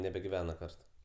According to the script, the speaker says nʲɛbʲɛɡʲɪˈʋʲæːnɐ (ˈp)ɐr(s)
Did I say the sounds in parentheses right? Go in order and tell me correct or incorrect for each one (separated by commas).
incorrect, incorrect